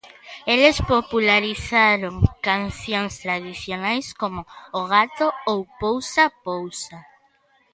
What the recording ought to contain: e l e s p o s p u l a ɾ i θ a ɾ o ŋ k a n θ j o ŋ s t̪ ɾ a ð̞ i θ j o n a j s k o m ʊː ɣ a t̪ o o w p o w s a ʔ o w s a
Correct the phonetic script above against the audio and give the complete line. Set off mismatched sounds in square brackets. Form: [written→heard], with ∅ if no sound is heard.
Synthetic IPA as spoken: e l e s p o [s→∅] p u l a ɾ i θ a ɾ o ŋ k a n θ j o ŋ s t̪ ɾ a ð̞ i θ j o n a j s k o m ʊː ɣ a t̪ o o w p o w s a [ʔ→p] o w s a